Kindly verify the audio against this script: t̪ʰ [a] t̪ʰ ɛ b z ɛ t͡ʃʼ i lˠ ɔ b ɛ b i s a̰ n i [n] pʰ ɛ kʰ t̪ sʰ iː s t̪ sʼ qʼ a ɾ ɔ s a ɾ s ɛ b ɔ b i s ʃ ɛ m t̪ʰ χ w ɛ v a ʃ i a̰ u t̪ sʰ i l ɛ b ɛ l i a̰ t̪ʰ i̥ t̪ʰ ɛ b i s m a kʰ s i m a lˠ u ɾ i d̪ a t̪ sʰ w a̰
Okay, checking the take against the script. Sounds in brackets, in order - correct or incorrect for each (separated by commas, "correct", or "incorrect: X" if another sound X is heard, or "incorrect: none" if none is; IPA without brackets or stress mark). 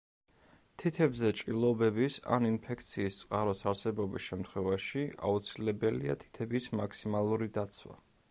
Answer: incorrect: i, correct